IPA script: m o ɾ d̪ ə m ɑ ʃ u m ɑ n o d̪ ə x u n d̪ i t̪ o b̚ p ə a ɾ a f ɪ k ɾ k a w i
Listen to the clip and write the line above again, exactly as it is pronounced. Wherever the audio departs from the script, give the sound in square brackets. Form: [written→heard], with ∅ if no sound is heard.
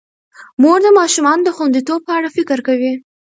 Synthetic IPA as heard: m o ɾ d̪ ə m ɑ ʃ u m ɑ n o d̪ ə x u n d̪ i t̪ o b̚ p ə a [ɾ→ɽ] a f ɪ k ɾ k a w i

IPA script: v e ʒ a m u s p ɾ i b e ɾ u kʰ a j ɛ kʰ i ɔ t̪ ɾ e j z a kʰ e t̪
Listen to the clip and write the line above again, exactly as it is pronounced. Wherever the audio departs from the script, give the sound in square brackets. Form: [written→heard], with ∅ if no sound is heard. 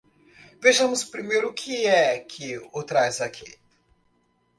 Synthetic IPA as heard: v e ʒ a m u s p ɾ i [b→m] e ɾ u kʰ [a→i] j ɛ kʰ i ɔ t̪ ɾ [e→a] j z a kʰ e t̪

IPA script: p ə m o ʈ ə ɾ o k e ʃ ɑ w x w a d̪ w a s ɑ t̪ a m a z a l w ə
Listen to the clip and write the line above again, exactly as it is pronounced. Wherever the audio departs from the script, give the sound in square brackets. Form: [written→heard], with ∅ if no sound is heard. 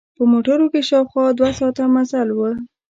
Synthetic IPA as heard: p ə m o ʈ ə ɾ o k e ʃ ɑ w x w [a→ɑ] d̪ w a s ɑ t̪ a m a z a l w ə

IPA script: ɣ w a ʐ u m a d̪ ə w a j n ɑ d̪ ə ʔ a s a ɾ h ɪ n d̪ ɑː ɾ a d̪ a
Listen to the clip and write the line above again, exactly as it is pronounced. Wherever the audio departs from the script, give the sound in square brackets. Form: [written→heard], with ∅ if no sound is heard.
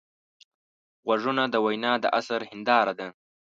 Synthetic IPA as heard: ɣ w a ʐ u [m→n] a d̪ ə w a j n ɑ d̪ ə ʔ a s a ɾ h ɪ n d̪ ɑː ɾ a d̪ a

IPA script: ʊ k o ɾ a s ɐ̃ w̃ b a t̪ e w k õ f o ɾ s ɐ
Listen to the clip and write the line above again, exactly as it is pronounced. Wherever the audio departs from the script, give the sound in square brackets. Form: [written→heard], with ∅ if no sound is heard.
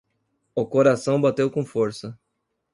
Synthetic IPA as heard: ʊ k o ɾ a s ɐ̃ w̃ b a t̪ e w k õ f o ɾ s ɐ

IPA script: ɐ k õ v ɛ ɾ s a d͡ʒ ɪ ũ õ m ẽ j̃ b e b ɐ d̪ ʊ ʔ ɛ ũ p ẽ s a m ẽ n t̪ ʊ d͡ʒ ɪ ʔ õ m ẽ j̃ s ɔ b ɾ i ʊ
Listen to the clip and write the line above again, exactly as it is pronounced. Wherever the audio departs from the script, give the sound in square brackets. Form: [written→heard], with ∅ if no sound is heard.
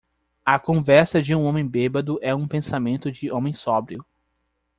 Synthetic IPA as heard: ɐ k õ v ɛ ɾ s [a→ɐ] d͡ʒ ɪ ũ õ m ẽ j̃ b e b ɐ d̪ ʊ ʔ ɛ ũ p ẽ s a m ẽ n t̪ ʊ d͡ʒ ɪ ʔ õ m ẽ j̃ s ɔ b ɾ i ʊ

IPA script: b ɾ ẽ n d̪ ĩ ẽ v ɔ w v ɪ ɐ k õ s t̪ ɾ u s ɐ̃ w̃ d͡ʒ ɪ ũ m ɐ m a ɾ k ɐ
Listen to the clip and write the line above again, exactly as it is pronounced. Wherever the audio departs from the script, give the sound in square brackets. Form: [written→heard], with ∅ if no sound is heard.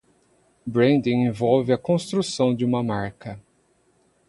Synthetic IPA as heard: b ɾ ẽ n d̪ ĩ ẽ v ɔ w v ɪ ɐ k õ s t̪ ɾ u s ɐ̃ w̃ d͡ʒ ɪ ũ m ɐ m a ɾ k ɐ

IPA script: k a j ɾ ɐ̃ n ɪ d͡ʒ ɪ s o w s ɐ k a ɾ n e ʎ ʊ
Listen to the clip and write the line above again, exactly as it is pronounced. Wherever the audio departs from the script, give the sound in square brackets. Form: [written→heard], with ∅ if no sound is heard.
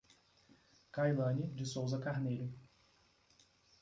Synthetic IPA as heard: k a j [ɾ→l] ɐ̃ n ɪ d͡ʒ ɪ s o w [s→z] ɐ k a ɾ n e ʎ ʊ

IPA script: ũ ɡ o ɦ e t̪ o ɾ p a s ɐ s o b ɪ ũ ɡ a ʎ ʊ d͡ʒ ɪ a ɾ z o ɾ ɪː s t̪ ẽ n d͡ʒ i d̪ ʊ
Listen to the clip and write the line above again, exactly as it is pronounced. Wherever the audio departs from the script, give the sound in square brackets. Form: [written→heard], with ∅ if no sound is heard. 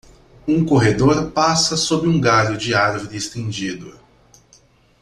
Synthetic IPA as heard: ũ [ɡ→k] o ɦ e [t̪→d̪] o ɾ p a s ɐ s o b ɪ ũ ɡ a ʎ ʊ d͡ʒ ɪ a ɾ [z→v] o ɾ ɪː s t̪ ẽ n d͡ʒ i d̪ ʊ

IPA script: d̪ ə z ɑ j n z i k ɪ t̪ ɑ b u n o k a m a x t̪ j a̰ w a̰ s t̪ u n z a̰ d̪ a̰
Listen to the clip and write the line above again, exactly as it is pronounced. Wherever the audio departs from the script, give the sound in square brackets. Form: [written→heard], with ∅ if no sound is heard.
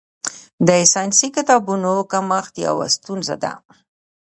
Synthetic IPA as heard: d̪ ə [z→s] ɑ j n [z→s] i k ɪ t̪ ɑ b u n o k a m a x t̪ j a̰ w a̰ s t̪ u n z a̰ d̪ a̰

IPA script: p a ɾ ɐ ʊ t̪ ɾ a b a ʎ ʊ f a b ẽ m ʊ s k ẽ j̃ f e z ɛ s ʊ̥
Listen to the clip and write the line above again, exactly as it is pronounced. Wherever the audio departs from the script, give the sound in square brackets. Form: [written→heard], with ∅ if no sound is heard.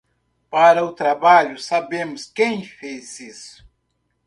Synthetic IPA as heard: p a ɾ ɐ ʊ t̪ ɾ a b a ʎ ʊ [f→s] a b ẽ m ʊ s k ẽ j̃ f e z [ɛ→i] s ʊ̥

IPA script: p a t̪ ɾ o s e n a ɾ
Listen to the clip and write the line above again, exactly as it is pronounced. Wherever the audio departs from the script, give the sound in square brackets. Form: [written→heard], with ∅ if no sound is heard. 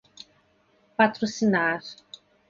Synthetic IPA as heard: p a t̪ ɾ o s [e→i] n a ɾ

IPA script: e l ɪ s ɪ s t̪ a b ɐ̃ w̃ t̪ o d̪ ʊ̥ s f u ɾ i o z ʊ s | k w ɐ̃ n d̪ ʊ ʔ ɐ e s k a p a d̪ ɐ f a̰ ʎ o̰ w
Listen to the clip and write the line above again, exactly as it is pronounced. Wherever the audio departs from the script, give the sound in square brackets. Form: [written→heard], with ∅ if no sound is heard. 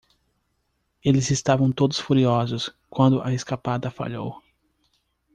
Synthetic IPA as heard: e l ɪ [s→z] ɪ s t̪ a [b→v] ɐ̃ w̃ t̪ o d̪ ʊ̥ s f u ɾ i [o→ɔ] z ʊ s | k w ɐ̃ n d̪ ʊ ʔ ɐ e s k a p a d̪ ɐ f a̰ ʎ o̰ w

